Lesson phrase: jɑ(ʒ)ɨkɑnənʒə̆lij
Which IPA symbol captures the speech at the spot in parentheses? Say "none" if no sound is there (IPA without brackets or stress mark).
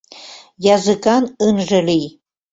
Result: z